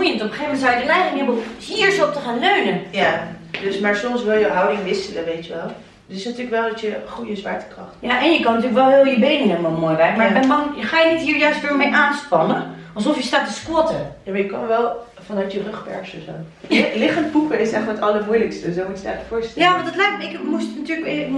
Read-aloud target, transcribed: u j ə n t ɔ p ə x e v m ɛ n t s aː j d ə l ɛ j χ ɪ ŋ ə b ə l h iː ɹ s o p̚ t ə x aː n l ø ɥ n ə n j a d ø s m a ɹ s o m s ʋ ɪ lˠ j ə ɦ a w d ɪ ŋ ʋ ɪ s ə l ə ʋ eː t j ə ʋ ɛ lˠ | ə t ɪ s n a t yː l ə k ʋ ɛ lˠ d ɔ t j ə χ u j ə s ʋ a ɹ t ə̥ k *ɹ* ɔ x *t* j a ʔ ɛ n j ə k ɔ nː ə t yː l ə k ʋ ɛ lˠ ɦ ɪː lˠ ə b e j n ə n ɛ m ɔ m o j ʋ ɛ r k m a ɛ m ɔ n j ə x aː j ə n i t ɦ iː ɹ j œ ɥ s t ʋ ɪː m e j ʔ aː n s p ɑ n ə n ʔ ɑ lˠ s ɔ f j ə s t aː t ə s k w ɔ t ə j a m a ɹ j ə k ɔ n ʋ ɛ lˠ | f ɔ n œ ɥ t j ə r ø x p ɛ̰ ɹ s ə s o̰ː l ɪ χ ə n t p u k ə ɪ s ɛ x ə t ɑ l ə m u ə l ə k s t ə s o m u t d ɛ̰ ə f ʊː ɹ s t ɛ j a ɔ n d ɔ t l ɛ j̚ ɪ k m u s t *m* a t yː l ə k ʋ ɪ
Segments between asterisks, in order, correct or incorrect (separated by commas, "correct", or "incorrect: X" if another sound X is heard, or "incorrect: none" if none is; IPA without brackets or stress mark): incorrect: r, correct, incorrect: n